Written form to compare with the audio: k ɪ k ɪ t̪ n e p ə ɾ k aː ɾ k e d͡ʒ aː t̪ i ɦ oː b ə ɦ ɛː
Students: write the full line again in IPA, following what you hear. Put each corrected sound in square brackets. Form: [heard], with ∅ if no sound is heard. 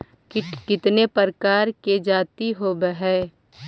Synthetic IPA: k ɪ k ɪ t̪ n e p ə ɾ k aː ɾ k e d͡ʒ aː t̪ i ɦ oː b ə ɦ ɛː